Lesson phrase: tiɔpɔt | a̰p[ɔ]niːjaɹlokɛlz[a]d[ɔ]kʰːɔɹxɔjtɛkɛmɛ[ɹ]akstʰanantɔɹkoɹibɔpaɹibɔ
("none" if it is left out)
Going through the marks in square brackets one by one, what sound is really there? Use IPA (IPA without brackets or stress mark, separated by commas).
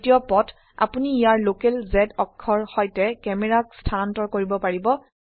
u, ɛ, ɔ, ɹ